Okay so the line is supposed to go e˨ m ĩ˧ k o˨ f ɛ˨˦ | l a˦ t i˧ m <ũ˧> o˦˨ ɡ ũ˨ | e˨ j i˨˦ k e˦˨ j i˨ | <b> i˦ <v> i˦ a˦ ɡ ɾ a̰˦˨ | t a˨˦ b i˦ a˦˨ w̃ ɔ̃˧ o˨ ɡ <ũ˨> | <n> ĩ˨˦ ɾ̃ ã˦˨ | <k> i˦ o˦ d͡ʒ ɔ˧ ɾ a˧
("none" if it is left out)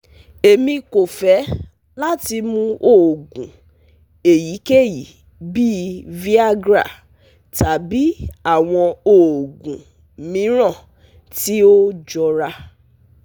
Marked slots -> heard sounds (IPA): ũ˧, b, v, ũ˨, m, t

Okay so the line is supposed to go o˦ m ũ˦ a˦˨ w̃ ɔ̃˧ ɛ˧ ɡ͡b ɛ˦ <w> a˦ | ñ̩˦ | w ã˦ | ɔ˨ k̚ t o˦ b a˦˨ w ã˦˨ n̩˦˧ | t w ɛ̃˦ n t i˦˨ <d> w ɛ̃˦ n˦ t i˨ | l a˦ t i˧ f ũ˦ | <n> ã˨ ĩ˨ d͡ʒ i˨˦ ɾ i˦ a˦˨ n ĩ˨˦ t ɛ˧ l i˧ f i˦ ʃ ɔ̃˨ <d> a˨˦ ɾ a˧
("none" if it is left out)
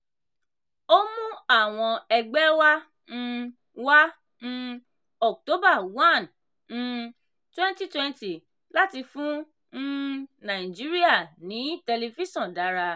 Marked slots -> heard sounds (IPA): w, t, n, d

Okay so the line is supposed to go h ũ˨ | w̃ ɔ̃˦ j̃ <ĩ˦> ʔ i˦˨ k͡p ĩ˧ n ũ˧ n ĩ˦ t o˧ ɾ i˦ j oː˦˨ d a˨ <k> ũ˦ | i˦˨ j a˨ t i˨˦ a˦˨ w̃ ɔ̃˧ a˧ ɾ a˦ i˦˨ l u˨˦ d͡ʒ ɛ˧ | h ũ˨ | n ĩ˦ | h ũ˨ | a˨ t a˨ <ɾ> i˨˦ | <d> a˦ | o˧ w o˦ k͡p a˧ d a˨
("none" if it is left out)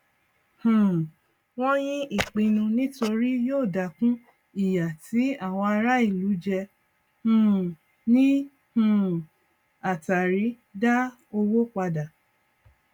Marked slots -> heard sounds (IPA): ĩ˦, k, ɾ, d

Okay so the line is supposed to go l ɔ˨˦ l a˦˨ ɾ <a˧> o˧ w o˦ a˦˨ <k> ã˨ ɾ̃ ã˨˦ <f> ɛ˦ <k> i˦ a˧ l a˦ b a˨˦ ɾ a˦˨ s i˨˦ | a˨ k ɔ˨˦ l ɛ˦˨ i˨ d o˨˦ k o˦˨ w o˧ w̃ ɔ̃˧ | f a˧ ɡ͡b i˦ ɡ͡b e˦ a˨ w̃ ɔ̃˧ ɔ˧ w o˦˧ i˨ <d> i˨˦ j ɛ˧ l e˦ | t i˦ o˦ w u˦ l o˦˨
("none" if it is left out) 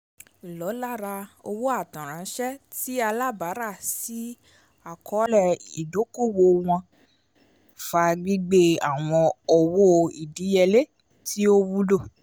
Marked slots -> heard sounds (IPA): a˧, t, ʃ, t, d

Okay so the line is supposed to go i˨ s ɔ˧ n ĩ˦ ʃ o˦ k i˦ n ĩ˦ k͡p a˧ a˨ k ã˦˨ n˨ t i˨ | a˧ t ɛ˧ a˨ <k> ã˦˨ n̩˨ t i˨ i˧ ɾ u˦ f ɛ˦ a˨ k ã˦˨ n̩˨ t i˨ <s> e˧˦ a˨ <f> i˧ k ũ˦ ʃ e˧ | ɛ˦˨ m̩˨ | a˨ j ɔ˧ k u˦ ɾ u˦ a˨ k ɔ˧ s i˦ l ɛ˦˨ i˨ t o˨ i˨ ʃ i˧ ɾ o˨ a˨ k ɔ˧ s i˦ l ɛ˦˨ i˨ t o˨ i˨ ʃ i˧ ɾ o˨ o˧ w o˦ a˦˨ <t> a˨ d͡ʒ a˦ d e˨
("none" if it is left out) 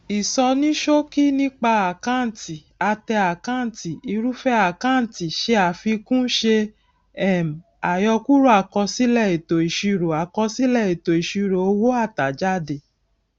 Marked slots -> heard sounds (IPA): k, ʃ, f, t

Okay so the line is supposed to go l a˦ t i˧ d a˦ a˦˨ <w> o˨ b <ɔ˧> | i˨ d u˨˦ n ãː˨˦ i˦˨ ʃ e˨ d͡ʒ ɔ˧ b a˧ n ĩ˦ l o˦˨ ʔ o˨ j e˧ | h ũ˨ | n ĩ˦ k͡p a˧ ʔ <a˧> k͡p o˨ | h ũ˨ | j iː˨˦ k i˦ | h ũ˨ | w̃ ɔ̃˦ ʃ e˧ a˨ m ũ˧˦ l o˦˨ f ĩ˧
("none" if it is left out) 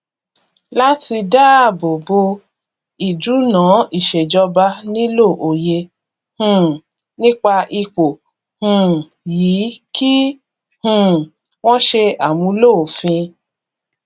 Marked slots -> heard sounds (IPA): b, o˧, i˧

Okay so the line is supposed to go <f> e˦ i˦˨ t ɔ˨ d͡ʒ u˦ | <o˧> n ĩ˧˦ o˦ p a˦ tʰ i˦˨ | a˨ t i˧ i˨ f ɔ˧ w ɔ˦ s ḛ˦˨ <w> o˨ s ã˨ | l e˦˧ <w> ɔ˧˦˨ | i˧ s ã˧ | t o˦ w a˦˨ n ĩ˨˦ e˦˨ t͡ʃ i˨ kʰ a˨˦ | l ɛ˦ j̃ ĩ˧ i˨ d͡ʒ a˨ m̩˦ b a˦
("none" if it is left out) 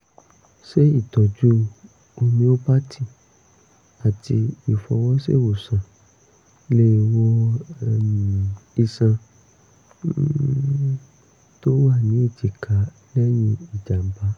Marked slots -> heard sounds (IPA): ʃ, o˧, w, w

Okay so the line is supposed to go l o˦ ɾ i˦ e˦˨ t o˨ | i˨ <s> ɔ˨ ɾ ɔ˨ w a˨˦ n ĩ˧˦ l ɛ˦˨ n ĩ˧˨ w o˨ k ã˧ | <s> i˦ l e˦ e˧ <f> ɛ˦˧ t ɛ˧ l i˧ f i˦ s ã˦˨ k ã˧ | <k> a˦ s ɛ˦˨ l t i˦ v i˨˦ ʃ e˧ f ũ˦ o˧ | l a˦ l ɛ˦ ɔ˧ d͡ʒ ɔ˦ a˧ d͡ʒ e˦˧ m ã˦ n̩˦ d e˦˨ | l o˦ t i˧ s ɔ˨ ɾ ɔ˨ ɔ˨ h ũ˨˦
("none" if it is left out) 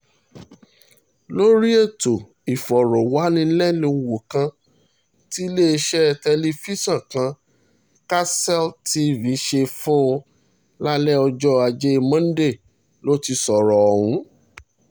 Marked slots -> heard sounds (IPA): f, t, ʃ, k

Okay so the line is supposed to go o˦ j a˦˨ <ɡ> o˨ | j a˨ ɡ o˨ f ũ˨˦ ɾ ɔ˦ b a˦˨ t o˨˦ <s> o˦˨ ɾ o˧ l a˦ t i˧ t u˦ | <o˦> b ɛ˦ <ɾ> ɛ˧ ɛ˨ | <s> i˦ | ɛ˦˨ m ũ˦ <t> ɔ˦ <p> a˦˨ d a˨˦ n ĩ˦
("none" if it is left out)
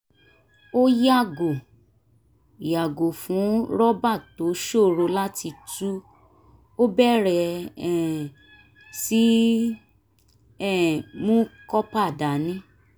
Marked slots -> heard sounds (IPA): ɡ, ʃ, o˦, ɾ, s, k, p

